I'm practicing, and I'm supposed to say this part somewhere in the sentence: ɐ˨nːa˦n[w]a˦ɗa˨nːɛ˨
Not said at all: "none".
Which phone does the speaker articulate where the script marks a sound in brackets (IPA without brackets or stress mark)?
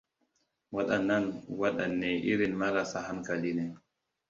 w